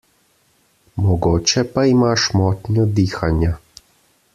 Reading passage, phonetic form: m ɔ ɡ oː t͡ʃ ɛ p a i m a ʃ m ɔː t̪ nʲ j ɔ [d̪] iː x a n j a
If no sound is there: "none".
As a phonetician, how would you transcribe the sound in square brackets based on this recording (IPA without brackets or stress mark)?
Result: d̪